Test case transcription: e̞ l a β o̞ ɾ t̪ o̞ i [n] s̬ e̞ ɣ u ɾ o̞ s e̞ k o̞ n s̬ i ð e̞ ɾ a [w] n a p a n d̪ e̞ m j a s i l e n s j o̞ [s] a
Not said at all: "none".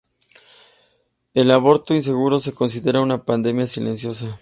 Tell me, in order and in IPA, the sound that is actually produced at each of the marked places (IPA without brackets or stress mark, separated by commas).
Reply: n, u, s